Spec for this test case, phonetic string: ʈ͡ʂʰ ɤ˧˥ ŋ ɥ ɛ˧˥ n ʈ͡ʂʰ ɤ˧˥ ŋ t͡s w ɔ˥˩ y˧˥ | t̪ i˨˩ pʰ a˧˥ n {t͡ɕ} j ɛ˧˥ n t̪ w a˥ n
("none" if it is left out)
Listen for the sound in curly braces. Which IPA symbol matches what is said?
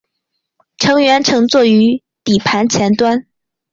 t͡ɕʰ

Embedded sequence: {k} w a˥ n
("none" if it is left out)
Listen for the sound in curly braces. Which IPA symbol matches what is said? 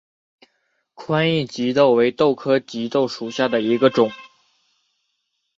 kʰ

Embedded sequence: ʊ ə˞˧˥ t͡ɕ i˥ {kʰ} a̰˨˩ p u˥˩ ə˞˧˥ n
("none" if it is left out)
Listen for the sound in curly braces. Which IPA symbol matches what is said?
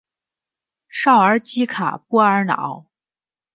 kʰ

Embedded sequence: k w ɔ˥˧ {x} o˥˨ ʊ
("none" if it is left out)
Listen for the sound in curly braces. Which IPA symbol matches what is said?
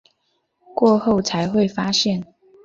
x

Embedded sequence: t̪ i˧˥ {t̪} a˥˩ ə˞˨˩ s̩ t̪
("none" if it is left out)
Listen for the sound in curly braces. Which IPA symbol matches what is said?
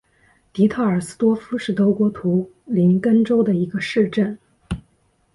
t̪ʰ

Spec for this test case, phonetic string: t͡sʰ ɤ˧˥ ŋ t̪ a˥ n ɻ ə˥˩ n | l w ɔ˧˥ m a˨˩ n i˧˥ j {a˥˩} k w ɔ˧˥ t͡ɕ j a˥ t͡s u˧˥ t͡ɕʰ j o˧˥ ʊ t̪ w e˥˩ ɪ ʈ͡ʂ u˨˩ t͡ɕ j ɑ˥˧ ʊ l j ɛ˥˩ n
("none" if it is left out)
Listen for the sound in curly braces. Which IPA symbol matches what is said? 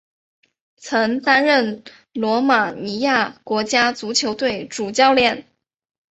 a˥˩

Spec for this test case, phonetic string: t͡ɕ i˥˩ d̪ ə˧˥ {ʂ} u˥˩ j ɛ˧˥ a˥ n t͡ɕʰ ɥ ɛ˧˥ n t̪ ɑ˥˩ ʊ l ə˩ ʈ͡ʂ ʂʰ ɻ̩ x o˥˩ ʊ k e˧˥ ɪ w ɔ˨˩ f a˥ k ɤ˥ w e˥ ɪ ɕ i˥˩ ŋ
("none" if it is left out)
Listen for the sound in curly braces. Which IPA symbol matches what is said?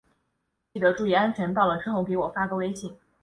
ʈ͡ʂ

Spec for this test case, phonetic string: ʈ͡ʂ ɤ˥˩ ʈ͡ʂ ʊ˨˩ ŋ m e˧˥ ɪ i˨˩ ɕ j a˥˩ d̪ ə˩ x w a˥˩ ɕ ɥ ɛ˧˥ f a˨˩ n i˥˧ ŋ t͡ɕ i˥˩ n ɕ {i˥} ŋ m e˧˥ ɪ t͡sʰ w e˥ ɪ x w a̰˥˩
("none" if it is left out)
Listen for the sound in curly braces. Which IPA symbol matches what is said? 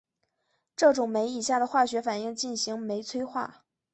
i˧˥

